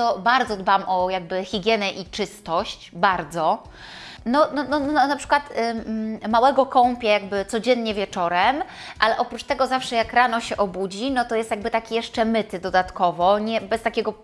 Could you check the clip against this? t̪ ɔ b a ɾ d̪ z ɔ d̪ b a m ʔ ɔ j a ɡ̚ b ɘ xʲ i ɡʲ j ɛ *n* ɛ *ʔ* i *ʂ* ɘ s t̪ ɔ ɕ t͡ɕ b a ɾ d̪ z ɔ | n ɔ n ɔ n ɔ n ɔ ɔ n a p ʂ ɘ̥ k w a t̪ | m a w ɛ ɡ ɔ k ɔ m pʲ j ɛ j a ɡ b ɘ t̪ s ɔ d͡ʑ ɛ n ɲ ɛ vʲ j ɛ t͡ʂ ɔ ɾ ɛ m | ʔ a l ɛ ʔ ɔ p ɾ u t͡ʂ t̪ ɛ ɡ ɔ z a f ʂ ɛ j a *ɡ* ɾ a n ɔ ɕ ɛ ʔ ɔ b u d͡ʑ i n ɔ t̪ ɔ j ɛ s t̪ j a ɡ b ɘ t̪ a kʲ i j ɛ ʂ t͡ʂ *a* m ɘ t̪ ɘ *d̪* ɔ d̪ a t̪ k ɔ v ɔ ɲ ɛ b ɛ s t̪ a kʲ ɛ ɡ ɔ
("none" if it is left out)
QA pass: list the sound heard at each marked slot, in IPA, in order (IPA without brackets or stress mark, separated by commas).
n, ʔ, t͡ʂ, k, ɛ, d̪